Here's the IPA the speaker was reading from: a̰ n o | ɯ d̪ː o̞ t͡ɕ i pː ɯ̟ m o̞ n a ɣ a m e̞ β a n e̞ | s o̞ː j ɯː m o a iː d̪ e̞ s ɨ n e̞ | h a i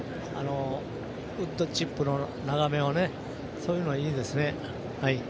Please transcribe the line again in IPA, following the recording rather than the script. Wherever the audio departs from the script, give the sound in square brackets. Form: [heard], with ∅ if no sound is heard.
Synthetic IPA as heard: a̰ n o | ɯ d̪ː o̞ t͡ɕ i pː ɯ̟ [n] o̞ n a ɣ a m e̞ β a n e̞ | s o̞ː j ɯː [n] o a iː d̪ e̞ s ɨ n e̞ | h a i

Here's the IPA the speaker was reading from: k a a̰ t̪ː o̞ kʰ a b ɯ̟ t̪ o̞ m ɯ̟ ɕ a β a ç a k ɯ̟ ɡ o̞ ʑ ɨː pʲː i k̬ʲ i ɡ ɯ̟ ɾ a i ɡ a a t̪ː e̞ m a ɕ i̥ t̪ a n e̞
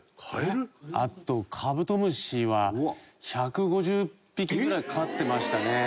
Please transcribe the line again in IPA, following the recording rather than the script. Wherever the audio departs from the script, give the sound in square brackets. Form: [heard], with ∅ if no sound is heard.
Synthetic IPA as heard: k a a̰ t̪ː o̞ kʰ a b ɯ̟ t̪ o̞ m ɯ̟ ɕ [i] β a ç a k ɯ̟ ɡ o̞ ʑ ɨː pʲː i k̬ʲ i ɡ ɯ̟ ɾ a i [k] a a t̪ː e̞ m a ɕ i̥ t̪ a n e̞

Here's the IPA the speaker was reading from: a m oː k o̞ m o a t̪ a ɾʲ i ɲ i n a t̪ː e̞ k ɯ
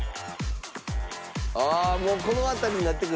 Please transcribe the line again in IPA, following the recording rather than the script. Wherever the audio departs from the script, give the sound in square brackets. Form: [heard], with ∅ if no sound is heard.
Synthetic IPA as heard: a m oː k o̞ [n] o a t̪ a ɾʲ i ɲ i n a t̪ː e̞ k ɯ

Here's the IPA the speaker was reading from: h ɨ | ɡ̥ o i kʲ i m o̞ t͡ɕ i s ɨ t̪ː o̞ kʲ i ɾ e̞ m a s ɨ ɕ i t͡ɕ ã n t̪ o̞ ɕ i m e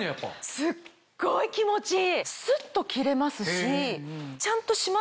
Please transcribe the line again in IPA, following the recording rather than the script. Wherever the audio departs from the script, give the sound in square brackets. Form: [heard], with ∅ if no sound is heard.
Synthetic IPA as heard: [s] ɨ | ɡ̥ o i kʲ i m o̞ t͡ɕ i s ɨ t̪ː o̞ kʲ i ɾ e̞ m a s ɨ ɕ i t͡ɕ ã n t̪ o̞ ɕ i m [a]

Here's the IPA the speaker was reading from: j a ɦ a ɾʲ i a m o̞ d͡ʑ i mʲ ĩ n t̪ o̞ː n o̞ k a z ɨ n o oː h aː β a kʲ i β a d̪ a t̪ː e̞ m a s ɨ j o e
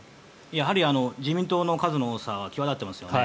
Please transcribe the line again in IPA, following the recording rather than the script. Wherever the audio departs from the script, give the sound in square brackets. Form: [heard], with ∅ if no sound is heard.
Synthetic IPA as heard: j a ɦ a ɾʲ i a [n] o̞ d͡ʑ i mʲ ĩ n t̪ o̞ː n o̞ k a z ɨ n o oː [s] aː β a kʲ i β a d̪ a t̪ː e̞ m a s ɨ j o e

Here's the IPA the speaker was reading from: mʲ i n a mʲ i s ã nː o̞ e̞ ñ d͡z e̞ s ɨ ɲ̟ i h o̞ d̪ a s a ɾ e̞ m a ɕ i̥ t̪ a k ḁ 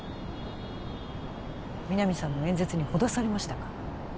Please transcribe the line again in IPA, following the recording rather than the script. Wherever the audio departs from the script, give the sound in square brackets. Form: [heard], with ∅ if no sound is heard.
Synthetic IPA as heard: mʲ i n a mʲ i s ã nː o̞ [ẽ̞] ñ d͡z e̞ [t͡s] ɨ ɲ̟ i h o̞ d̪ a s a ɾ e̞ m a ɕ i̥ t̪ a k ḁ

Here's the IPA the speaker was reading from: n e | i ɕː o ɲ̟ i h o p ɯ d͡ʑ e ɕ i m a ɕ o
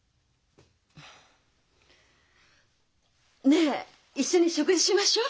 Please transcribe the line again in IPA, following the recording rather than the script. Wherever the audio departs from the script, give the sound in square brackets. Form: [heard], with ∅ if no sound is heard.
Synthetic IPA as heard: n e | i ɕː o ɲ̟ i [ɕ] o [k] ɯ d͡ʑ [i] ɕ i m a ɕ o

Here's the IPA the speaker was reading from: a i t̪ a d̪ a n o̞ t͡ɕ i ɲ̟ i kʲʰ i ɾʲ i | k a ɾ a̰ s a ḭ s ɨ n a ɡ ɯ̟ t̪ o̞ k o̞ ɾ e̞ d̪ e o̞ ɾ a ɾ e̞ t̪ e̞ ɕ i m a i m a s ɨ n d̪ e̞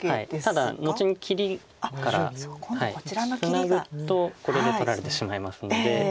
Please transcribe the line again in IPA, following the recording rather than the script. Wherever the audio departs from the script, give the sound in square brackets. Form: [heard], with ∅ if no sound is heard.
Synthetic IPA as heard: a i t̪ a d̪ a n o̞ t͡ɕ i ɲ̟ i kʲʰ i ɾʲ i | k a ɾ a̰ [h] a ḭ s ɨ n a ɡ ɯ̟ t̪ o̞ k o̞ ɾ e̞ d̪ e o̞ ɾ a ɾ e̞ t̪ e̞ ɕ i m a i m a s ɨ n d̪ e̞

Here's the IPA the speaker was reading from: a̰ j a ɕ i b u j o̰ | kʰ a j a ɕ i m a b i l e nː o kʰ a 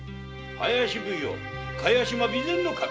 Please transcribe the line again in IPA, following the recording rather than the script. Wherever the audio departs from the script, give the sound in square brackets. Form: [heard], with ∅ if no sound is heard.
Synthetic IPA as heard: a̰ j a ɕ i b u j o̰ | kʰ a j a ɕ i m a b i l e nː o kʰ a

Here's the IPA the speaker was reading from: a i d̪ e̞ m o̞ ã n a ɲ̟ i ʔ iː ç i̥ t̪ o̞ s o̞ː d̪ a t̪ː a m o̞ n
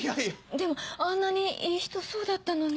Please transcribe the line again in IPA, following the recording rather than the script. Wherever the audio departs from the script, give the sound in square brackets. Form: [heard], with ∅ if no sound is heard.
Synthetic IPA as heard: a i d̪ e̞ m o̞ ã [nː] a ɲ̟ i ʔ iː ç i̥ t̪ o̞ s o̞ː d̪ a t̪ː a [n] o̞ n

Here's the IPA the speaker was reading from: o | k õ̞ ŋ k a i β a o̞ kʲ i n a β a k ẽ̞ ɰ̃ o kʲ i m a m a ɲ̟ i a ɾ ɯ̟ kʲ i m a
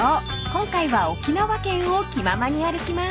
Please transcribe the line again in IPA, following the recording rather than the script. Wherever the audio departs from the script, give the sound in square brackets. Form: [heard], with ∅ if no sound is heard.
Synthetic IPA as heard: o | k õ̞ ŋ k a i β a o̞ kʲ i n a β a k ẽ̞ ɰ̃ o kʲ i m a m a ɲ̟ i a ɾ ɯ̟ kʲ i m a

